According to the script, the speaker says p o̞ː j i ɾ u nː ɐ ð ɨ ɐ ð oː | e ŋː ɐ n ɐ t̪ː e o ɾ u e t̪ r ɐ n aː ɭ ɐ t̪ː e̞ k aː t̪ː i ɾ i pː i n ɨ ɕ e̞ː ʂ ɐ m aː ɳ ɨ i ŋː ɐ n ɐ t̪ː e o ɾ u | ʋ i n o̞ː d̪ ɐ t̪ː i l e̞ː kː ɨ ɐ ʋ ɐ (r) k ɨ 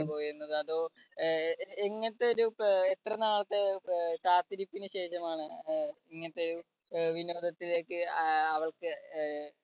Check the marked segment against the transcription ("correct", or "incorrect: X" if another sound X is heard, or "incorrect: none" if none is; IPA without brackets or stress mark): incorrect: ɭ